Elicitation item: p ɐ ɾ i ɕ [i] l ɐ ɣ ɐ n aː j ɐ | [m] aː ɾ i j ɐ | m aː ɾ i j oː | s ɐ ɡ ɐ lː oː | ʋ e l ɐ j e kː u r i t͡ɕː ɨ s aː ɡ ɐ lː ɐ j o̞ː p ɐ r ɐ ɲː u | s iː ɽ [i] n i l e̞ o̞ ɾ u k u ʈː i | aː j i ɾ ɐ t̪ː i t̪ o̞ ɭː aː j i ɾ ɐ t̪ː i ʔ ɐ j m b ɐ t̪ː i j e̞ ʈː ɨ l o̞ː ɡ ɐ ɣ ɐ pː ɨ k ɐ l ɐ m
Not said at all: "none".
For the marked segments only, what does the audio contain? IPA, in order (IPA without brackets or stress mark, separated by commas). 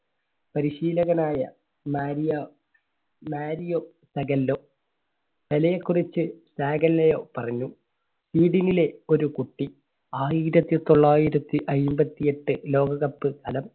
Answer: iː, m, i